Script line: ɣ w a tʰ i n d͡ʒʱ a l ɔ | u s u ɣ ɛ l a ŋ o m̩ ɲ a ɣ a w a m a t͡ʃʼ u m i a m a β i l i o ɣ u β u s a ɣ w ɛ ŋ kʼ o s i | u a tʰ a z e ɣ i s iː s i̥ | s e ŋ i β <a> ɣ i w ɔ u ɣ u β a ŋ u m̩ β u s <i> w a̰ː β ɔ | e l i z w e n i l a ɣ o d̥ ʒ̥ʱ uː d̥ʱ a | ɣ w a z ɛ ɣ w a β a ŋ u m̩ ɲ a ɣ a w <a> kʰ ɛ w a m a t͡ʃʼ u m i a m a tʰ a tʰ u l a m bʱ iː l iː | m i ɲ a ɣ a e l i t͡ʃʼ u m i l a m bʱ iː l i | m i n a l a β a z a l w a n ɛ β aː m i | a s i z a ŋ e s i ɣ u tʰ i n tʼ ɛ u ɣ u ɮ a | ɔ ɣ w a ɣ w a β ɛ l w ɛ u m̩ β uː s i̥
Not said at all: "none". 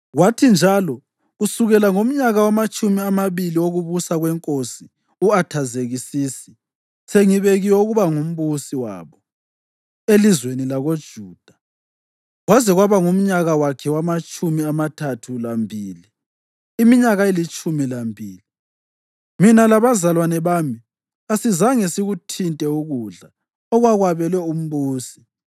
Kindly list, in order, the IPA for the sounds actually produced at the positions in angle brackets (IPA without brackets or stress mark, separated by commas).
e, i, a